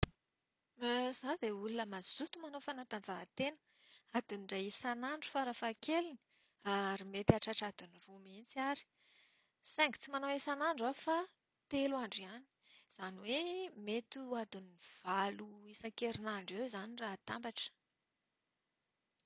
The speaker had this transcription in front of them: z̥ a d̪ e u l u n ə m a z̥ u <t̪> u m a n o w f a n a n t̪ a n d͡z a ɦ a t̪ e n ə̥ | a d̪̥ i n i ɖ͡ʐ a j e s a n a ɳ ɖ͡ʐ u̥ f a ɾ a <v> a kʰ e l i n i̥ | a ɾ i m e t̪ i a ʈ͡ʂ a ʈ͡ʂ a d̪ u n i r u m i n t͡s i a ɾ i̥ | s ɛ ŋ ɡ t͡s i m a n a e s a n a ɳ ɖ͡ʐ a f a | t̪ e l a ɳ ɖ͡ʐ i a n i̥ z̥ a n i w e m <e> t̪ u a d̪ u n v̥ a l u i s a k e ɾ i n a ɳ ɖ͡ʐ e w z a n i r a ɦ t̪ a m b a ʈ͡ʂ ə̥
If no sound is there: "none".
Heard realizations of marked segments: t̪, f, e

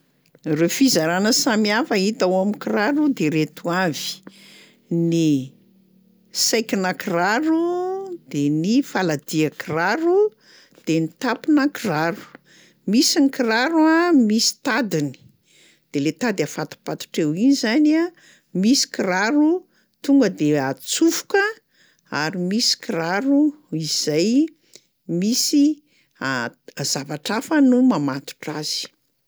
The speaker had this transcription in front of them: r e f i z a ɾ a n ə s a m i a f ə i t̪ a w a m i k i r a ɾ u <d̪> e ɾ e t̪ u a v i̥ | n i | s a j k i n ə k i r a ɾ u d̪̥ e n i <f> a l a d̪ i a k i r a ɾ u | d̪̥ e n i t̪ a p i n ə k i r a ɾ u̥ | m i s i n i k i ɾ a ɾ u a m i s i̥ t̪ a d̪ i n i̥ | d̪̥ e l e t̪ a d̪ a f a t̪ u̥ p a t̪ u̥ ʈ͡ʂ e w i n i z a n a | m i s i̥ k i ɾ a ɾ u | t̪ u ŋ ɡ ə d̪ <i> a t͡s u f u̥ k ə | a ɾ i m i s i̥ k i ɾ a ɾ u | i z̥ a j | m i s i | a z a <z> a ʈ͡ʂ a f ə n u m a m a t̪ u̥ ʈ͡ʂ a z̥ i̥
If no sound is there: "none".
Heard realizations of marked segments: d̪, f, e, v

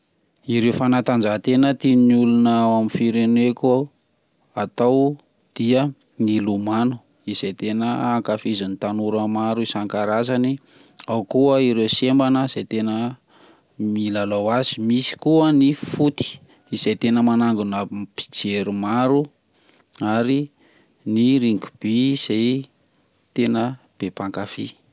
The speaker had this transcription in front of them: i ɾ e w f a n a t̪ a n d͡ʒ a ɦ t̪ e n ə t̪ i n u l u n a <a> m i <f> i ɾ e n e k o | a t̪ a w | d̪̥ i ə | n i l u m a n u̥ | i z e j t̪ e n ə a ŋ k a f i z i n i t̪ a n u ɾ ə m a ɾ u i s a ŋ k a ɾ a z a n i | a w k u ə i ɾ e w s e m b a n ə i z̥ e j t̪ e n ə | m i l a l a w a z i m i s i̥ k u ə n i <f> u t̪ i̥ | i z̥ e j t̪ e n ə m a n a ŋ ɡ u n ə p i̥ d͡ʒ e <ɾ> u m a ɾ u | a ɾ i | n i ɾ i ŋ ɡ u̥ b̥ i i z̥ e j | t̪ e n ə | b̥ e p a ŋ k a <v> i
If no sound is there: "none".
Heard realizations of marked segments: a, f, f, ɾ, f

